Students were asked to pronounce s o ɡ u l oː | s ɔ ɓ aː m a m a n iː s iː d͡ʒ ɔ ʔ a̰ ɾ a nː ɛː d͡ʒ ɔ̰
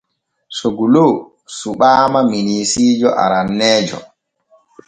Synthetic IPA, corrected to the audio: s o ɡ u l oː | s u ɓ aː m a m i n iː s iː d͡ʒ ɔ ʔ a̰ ɾ a nː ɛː d͡ʒ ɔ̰